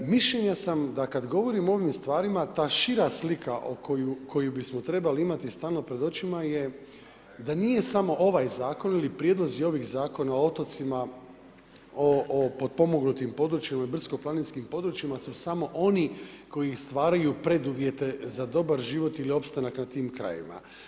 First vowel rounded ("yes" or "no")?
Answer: no